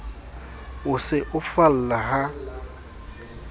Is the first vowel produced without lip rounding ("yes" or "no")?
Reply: no